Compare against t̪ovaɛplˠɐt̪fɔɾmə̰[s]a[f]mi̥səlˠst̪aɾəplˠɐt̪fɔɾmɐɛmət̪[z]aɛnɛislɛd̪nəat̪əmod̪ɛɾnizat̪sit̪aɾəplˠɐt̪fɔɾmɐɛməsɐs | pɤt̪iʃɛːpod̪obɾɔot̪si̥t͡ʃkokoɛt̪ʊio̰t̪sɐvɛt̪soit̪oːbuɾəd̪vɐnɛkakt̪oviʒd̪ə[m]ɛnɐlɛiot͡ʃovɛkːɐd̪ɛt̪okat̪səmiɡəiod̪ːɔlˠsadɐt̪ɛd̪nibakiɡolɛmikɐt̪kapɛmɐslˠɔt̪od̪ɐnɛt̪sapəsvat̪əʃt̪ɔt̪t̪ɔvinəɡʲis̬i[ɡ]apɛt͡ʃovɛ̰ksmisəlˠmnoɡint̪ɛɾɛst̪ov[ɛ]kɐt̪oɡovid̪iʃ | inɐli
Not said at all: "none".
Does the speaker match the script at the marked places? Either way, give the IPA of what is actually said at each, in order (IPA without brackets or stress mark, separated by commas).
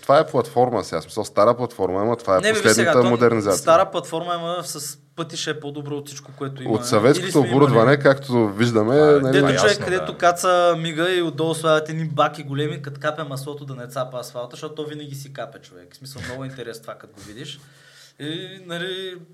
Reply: s, s, v, m, k, a